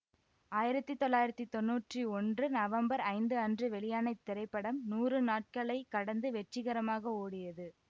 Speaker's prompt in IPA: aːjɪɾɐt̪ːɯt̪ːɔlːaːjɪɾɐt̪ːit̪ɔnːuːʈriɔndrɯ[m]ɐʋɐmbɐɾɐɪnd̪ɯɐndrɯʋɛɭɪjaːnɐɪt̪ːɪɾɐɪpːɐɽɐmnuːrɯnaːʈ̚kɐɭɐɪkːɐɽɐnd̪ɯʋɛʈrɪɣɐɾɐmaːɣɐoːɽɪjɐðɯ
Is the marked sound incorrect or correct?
incorrect